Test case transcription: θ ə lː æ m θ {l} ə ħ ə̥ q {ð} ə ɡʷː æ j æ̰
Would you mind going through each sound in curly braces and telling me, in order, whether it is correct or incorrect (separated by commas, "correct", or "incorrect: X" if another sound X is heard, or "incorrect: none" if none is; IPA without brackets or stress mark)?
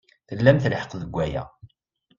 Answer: correct, correct